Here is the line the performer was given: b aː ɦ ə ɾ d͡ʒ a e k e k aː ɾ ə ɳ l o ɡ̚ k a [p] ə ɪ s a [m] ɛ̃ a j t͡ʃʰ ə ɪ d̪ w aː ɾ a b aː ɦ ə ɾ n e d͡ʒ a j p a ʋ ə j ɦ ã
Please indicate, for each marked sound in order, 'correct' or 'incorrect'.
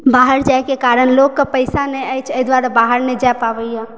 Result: correct, incorrect: n

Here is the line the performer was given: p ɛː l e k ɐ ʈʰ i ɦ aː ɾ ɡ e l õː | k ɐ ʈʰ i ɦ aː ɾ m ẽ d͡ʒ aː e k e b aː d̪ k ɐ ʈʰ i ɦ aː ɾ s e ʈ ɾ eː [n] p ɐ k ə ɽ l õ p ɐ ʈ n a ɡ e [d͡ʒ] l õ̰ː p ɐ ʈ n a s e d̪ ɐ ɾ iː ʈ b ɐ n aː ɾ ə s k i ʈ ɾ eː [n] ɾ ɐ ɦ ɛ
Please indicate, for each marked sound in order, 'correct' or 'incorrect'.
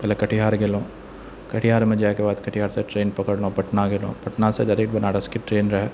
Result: correct, incorrect: none, correct

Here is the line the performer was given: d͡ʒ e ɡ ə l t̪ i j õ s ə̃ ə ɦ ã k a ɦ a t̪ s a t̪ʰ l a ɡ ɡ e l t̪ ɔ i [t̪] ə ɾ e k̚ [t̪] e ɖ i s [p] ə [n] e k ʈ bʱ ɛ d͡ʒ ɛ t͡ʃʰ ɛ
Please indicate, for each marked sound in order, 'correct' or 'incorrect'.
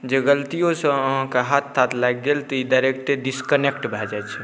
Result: incorrect: d̪, correct, incorrect: k, correct

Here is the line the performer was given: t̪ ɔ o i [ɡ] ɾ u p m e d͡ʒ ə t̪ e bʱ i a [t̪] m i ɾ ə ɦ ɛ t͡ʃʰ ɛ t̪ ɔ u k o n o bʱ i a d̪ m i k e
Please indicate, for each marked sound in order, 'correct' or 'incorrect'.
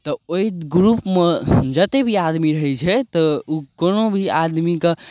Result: correct, incorrect: d̪

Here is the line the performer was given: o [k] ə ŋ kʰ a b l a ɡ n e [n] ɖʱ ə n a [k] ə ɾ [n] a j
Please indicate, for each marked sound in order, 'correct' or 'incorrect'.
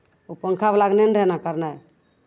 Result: incorrect: p, correct, correct, correct

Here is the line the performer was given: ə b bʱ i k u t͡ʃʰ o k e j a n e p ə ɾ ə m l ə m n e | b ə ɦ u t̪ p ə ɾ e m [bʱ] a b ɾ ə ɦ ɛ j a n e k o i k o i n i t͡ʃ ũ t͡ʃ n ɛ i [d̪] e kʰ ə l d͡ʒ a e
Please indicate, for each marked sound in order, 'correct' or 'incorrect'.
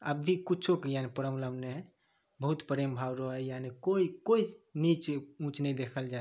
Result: correct, correct

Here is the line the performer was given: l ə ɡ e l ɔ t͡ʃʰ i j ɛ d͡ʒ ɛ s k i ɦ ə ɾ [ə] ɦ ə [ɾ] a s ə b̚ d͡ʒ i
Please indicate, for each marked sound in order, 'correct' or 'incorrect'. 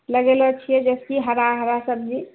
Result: incorrect: a, correct

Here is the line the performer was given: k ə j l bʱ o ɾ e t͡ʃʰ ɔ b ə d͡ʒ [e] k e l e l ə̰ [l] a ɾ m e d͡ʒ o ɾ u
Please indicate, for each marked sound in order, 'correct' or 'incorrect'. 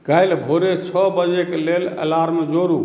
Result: correct, correct

